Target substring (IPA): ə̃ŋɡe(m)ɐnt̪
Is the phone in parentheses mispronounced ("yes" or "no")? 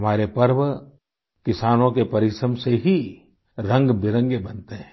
yes